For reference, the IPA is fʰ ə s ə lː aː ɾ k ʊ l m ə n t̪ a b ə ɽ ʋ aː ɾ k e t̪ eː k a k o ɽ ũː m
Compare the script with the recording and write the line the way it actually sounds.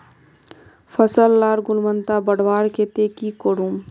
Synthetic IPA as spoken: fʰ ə s ə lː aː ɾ ɡ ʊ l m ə n t̪ a b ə ɽ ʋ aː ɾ k e t̪ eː k i k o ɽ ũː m